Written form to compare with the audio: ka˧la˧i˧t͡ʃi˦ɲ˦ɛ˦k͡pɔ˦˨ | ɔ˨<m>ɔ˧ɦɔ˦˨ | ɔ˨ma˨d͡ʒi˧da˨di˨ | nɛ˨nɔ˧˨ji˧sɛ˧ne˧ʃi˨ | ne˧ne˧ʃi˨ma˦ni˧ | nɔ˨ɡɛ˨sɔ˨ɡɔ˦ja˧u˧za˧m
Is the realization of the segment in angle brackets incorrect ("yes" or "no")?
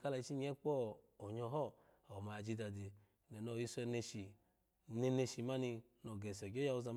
yes